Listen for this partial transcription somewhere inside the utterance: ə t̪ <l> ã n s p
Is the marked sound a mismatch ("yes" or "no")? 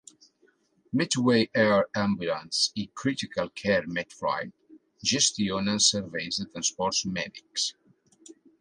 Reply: yes